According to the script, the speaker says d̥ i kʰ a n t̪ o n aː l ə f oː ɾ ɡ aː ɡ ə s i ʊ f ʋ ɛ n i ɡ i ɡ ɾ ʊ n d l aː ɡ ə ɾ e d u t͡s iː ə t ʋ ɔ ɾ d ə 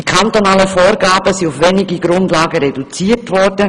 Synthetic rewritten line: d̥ i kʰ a n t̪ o n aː l ə f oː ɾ ɡ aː b ə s i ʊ f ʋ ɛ n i ɡ i ɡ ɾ ʊ n d l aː ɡ ə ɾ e d u t͡s iː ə t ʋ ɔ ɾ d ə